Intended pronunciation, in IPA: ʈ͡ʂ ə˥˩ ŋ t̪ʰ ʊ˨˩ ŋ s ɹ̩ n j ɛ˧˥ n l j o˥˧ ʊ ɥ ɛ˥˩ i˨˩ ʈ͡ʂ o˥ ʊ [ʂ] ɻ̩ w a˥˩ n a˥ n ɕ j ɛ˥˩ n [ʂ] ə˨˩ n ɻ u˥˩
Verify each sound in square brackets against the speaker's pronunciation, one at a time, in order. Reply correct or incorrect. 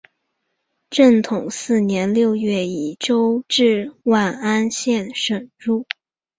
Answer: incorrect, correct

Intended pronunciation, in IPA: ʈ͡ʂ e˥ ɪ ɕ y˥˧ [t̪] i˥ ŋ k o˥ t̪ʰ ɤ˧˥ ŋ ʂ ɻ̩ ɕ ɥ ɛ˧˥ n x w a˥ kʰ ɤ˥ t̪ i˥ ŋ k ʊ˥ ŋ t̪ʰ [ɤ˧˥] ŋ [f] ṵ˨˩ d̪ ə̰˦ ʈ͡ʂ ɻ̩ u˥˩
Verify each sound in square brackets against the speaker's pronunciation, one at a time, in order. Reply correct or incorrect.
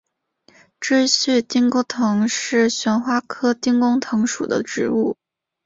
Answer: correct, correct, incorrect

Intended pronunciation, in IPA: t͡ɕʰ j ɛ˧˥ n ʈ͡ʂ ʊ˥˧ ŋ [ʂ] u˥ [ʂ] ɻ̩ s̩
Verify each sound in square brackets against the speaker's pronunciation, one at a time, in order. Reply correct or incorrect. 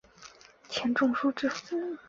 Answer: correct, incorrect

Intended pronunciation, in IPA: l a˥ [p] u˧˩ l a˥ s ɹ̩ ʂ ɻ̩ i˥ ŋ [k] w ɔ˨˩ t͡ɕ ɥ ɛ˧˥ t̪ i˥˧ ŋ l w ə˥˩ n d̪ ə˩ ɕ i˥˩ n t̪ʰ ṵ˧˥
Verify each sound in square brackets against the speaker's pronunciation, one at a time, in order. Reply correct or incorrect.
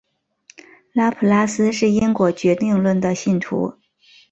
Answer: incorrect, correct

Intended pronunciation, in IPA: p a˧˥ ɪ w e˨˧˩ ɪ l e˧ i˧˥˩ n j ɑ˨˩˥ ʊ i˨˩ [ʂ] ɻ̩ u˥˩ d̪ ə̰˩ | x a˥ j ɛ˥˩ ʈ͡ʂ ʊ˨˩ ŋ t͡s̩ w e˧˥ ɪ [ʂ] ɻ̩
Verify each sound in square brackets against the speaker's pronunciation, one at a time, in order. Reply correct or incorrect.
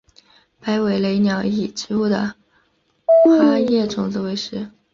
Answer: incorrect, correct

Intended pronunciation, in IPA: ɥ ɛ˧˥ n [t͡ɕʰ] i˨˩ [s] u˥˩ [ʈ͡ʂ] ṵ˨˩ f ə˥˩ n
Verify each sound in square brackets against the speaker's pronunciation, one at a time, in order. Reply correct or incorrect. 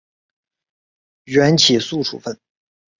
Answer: correct, correct, incorrect

